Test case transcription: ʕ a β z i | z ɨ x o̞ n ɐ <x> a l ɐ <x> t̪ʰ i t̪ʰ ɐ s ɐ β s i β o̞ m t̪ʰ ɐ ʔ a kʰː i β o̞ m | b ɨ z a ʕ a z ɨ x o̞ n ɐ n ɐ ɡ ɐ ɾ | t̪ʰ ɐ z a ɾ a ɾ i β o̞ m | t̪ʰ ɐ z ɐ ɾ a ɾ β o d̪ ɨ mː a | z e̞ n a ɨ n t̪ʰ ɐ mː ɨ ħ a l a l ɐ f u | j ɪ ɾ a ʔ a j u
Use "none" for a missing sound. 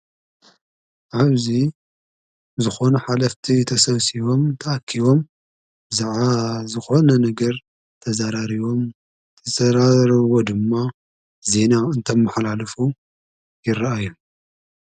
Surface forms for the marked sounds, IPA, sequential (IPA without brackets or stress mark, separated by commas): ħ, f